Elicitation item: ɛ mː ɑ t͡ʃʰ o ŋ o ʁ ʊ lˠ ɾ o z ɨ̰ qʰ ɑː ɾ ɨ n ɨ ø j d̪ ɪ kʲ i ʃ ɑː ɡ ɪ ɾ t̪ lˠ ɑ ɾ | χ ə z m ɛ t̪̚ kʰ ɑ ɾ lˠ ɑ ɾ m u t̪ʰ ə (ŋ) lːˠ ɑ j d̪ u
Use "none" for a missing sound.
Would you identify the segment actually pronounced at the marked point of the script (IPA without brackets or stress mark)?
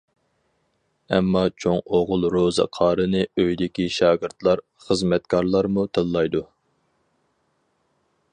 none